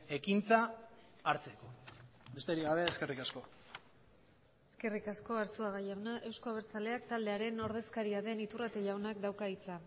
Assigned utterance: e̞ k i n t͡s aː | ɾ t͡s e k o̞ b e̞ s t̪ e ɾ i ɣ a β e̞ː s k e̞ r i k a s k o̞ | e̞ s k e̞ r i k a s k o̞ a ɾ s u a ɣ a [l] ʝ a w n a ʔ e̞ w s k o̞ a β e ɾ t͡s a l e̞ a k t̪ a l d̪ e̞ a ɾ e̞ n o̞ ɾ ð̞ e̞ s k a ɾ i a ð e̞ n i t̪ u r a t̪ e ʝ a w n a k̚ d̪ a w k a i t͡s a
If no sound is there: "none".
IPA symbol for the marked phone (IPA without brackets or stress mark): none